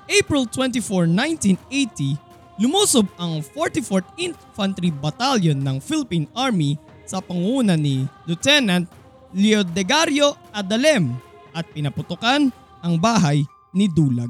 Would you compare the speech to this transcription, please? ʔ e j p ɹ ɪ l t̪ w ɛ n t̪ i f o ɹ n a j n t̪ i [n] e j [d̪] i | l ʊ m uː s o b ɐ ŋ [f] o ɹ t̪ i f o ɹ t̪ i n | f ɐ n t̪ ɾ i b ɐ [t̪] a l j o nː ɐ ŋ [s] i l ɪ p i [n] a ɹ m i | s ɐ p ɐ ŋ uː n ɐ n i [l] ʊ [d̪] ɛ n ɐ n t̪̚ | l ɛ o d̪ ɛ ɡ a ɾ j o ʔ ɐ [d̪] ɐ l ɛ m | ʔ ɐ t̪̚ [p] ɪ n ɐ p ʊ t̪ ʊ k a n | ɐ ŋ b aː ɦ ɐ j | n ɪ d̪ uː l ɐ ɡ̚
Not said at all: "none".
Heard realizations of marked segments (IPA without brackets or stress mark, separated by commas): n, t̪, f, t̪, f, n, l, t̪, d̪, p